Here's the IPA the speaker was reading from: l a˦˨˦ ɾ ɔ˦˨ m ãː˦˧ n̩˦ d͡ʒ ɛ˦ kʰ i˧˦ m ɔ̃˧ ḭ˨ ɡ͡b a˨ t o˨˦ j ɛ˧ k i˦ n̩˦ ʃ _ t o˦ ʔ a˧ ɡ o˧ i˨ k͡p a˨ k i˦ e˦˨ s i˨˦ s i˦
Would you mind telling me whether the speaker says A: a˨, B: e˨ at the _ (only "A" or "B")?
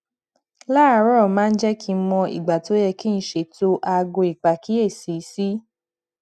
B